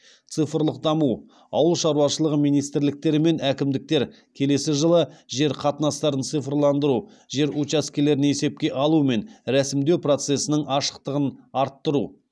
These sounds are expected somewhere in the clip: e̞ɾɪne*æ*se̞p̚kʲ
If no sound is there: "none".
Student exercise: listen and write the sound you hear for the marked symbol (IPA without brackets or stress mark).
e